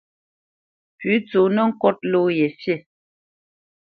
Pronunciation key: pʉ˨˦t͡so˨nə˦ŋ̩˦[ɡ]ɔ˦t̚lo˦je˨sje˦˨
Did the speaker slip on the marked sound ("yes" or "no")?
yes